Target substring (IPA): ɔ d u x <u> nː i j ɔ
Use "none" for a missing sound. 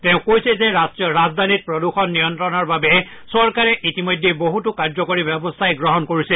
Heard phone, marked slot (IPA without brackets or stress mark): ɔ